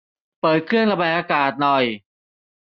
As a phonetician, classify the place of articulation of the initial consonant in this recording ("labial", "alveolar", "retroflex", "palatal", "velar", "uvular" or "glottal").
labial